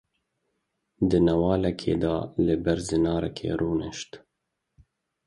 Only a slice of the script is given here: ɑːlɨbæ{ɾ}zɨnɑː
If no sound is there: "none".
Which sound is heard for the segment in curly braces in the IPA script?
ɾ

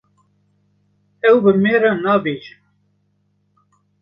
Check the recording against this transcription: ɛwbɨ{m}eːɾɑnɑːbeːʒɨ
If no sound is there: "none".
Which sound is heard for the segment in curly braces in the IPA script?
m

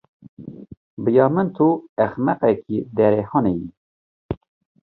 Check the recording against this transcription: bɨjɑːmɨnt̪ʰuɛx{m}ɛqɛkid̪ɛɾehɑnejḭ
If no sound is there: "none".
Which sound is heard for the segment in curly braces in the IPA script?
m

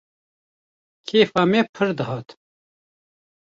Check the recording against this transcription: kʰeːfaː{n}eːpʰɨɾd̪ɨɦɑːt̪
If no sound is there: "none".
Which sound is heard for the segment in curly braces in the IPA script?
m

